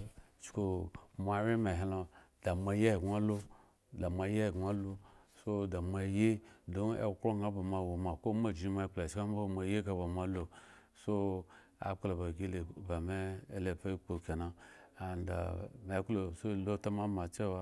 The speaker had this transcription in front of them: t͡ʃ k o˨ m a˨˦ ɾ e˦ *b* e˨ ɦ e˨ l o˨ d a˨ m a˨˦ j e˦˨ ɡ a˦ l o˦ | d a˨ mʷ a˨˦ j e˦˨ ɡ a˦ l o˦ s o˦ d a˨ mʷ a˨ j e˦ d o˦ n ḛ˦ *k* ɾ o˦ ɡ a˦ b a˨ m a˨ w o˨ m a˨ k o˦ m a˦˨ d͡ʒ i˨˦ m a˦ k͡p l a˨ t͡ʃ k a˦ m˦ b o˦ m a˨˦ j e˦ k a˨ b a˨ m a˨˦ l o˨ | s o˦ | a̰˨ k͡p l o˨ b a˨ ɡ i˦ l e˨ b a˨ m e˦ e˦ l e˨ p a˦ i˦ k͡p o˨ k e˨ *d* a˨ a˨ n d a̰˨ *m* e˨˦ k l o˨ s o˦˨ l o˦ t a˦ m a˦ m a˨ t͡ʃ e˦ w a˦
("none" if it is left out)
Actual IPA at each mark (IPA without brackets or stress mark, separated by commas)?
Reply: m, k, n, m